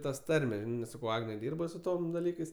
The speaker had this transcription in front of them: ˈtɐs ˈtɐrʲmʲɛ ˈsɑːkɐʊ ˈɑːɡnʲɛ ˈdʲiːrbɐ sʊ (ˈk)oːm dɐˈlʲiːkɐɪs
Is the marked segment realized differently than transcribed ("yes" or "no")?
yes